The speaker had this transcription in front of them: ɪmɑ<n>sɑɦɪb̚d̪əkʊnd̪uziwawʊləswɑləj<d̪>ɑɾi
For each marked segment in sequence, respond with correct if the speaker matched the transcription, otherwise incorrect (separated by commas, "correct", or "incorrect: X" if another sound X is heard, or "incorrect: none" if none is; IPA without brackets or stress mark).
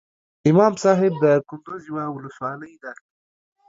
incorrect: m, correct